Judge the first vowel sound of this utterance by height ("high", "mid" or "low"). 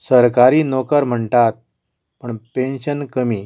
mid